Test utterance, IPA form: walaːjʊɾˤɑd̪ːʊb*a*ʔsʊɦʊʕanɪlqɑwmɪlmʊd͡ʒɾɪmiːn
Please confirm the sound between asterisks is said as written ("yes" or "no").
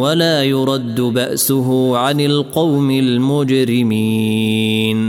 yes